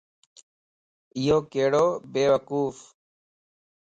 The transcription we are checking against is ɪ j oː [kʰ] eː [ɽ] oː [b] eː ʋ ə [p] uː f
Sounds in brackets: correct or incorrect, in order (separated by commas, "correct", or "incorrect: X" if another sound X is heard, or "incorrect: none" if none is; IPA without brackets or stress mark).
incorrect: k, correct, correct, incorrect: k